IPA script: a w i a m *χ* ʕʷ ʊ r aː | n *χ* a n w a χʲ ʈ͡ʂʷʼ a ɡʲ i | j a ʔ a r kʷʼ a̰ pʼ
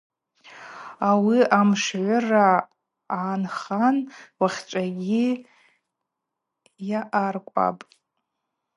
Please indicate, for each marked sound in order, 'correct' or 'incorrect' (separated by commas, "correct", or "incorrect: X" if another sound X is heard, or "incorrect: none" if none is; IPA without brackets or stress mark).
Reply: incorrect: ʂ, correct